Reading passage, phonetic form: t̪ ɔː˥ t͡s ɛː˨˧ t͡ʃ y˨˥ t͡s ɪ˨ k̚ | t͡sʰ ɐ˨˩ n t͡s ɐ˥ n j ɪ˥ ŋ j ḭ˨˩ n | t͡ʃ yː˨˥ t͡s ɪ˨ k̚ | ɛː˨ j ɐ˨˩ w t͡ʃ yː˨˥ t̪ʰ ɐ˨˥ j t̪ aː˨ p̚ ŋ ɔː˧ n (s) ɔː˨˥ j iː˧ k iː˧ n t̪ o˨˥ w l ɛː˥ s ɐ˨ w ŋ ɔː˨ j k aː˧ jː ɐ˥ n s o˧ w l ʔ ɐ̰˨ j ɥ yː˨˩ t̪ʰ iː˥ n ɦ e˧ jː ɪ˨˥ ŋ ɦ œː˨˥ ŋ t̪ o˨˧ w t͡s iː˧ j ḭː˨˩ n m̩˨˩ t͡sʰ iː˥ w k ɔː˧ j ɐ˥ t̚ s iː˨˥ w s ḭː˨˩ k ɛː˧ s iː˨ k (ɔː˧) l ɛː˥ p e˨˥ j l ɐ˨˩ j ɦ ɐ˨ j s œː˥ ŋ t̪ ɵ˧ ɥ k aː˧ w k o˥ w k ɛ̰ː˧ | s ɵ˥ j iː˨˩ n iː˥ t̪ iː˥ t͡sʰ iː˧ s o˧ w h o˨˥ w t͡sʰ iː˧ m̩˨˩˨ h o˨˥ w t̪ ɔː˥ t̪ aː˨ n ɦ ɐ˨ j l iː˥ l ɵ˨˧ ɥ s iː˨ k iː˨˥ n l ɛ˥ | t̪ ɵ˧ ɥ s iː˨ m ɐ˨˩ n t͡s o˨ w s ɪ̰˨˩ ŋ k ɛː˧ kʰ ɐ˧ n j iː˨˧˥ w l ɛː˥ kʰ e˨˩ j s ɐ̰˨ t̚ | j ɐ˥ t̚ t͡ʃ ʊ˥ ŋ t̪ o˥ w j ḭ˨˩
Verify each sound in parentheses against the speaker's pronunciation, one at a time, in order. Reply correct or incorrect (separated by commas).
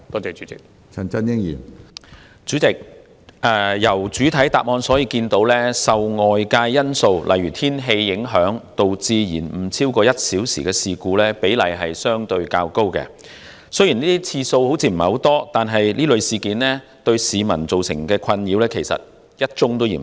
correct, incorrect